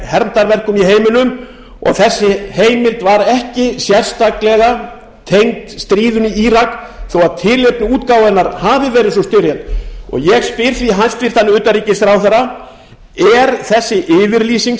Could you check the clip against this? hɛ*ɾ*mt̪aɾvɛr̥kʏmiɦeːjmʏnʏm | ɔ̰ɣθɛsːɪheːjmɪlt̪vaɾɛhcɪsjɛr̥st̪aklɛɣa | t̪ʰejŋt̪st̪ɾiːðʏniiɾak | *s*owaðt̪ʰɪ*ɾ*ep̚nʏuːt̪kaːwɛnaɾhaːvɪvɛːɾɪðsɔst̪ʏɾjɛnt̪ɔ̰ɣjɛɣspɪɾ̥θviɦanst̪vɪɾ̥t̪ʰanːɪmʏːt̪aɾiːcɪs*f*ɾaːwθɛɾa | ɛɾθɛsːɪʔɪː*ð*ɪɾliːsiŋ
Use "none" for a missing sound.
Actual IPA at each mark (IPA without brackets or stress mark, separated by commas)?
ɾ, θ, l, θ, v